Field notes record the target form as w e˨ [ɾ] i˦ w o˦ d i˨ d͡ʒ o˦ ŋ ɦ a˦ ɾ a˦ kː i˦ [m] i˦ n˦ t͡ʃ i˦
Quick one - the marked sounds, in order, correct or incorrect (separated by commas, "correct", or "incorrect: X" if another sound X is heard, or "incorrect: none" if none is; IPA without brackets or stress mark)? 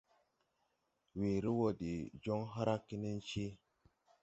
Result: correct, incorrect: n